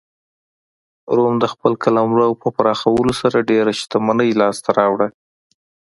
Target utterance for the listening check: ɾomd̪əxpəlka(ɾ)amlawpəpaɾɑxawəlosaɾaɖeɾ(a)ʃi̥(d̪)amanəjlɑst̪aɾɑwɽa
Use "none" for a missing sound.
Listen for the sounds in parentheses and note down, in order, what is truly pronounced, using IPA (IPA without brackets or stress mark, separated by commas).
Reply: l, a, t̪